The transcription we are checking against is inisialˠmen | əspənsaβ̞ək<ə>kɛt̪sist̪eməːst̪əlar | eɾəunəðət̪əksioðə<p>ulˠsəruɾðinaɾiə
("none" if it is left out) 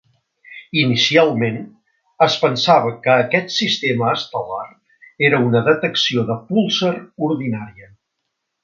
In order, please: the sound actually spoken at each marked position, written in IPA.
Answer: əː, p

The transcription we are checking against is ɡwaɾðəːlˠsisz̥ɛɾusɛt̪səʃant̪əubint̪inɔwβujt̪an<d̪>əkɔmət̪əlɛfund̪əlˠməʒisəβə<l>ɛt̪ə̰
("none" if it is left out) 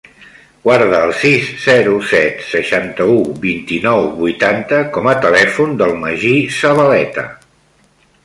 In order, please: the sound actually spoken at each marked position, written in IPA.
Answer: t̪, l

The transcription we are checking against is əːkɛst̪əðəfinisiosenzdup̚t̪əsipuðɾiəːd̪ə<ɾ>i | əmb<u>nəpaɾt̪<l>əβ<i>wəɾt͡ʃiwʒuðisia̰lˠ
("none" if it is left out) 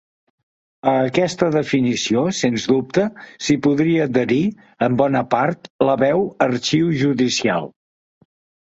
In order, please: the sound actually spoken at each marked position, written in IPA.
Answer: ɾ, ɔ, l, ɛ

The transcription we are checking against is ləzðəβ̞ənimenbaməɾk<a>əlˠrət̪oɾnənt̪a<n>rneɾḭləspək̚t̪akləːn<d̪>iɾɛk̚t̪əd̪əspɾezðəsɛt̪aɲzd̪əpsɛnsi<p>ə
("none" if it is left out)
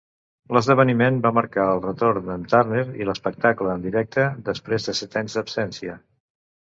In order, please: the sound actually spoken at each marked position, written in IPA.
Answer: a, none, d̪, none

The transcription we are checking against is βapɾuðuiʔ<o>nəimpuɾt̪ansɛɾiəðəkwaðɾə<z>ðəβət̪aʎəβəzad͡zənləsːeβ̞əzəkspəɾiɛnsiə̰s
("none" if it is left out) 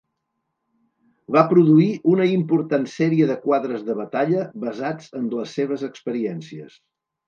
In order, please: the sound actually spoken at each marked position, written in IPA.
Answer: u, z

